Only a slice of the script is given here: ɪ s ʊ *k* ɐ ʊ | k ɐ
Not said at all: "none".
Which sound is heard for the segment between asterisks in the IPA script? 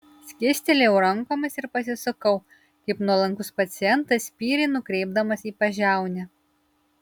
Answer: k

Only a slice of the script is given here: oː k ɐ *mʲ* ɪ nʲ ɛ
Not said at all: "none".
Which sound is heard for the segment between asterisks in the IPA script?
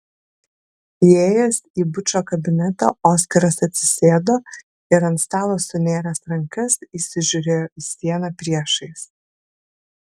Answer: bʲ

